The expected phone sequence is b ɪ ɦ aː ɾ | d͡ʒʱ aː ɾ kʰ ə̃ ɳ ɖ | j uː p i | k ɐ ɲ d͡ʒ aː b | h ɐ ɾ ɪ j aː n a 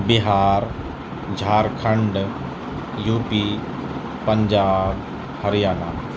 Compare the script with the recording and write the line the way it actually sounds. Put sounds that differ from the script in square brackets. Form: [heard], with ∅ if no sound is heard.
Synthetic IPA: b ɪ ɦ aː ɾ | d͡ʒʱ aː ɾ kʰ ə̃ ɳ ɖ | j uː p i | [p] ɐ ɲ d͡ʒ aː b | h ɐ ɾ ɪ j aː n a